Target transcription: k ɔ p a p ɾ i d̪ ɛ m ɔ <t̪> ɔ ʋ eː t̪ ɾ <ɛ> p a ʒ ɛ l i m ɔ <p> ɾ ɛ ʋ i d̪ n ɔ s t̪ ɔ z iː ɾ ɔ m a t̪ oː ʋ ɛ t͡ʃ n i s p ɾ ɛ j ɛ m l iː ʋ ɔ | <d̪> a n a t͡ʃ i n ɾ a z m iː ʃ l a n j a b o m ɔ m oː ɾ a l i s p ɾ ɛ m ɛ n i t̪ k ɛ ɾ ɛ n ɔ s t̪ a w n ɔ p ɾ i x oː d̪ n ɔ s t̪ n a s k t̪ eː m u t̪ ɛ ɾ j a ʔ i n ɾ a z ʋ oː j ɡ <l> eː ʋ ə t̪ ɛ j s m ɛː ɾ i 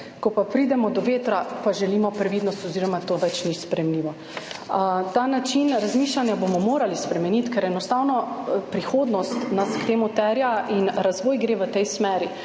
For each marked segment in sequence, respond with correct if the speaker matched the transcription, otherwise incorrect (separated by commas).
incorrect, incorrect, correct, incorrect, incorrect